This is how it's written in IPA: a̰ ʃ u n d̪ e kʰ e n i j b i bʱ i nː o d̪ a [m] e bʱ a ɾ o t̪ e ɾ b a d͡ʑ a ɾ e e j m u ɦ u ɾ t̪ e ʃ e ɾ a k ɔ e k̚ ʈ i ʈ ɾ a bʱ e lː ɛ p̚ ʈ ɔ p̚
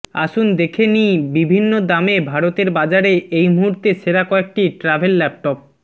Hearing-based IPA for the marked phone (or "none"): m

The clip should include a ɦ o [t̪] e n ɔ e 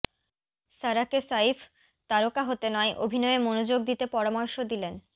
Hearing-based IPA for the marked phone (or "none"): t̪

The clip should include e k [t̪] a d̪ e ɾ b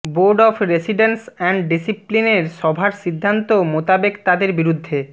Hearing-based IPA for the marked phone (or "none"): t̪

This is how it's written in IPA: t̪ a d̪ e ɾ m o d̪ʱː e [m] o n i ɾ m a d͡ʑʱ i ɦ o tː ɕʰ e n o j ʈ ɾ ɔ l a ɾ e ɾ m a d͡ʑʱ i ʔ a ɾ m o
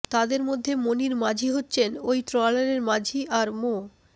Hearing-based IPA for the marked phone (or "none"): m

